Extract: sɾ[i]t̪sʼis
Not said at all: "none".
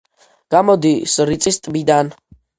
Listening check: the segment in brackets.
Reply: i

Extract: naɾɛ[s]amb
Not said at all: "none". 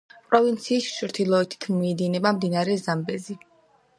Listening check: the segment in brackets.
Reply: z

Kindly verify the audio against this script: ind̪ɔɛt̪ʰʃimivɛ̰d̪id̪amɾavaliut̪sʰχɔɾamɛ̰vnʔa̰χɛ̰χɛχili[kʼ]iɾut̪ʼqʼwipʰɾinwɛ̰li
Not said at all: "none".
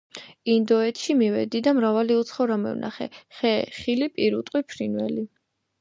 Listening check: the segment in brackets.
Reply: pʼ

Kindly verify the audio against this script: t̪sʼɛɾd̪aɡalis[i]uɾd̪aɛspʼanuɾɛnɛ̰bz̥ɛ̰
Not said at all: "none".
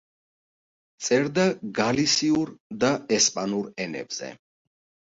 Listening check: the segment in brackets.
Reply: i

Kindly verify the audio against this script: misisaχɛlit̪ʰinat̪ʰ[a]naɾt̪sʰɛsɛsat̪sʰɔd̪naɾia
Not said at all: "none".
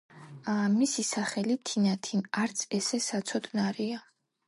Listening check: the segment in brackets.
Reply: i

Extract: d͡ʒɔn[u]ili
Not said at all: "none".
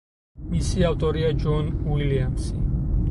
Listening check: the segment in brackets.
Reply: w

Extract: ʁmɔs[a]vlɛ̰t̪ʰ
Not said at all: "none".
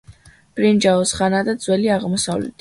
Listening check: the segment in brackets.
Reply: a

